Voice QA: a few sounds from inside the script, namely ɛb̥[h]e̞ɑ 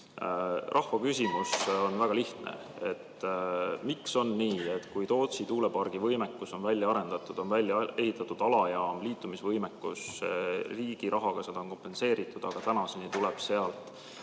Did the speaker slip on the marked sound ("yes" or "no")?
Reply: yes